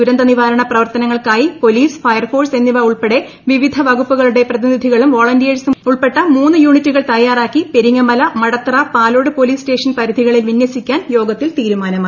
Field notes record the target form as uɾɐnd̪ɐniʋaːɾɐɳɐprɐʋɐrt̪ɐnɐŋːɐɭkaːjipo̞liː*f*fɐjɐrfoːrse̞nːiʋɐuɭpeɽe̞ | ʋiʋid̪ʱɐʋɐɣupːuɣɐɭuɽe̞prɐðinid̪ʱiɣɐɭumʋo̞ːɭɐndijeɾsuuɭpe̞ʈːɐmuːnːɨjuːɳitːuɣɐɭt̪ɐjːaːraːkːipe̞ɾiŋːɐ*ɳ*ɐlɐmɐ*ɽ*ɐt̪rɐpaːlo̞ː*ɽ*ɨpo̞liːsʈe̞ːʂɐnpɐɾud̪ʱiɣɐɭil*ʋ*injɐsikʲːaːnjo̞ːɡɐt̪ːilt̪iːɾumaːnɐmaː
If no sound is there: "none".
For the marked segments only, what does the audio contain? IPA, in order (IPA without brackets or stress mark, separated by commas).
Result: s, m, ɽ, ɽ, ʋ